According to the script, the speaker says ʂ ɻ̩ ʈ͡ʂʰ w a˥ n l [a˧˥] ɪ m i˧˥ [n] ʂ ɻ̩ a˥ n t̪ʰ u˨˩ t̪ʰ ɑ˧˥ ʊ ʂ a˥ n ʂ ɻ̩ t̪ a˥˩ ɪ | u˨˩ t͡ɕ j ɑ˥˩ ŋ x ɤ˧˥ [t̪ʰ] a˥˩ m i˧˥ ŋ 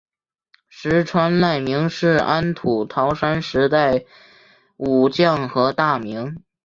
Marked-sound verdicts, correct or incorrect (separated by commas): incorrect, incorrect, incorrect